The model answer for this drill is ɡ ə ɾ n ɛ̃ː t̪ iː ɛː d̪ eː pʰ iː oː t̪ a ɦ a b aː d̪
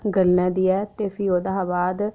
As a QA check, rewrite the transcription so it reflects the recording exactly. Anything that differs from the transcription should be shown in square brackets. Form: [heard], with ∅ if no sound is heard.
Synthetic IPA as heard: ɡ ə [l] n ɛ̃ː [d̪] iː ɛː [t̪] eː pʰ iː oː [d̪] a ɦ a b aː d̪